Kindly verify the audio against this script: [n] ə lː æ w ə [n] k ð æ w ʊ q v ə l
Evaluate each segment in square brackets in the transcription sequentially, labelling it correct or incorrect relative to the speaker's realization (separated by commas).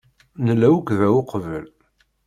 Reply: correct, incorrect